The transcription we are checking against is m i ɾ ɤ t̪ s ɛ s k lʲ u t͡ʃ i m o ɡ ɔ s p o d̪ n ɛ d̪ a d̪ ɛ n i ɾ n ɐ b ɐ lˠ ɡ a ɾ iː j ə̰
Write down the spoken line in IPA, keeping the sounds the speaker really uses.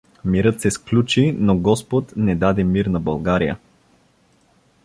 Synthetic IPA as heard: m i ɾ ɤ t̪ s ɛ s k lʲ u t͡ʃ i n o ɡ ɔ s p o t̪ n ɛ d̪ a d̪ ɛ m i ɾ n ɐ b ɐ lˠ ɡ a ɾ i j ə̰

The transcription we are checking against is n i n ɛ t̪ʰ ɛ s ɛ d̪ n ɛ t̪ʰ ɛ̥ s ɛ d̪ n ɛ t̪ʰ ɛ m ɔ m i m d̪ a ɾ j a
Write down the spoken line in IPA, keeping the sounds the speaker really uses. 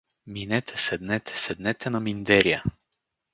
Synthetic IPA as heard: m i n ɛ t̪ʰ ɛ s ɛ d̪ n ɛ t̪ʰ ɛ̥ s ɛ d̪ n ɛ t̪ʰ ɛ n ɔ m i n d̪ ɛ ɾ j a

